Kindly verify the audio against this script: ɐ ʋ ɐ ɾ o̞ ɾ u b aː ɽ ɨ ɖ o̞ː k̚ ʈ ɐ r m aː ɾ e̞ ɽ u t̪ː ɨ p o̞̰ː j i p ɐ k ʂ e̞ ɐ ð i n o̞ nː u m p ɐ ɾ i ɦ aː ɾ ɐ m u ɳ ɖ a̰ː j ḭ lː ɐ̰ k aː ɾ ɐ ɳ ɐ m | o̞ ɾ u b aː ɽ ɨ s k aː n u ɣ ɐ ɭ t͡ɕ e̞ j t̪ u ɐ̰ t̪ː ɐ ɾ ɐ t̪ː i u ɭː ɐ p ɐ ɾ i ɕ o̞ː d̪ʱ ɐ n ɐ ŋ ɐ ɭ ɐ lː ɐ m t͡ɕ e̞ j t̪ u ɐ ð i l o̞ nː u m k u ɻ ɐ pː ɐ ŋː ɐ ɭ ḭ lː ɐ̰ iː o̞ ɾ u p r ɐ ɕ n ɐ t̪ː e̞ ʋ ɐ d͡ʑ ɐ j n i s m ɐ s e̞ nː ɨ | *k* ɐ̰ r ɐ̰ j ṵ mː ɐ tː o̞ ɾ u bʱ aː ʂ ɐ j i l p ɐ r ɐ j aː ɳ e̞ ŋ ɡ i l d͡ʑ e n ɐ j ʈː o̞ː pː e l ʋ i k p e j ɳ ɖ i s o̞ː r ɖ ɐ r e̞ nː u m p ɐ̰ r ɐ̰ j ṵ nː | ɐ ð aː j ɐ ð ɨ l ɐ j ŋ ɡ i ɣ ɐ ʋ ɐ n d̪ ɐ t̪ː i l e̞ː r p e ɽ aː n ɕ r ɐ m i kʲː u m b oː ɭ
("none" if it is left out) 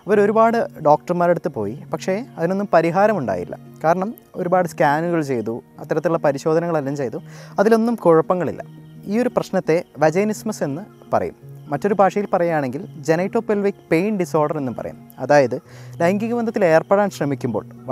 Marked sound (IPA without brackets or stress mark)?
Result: p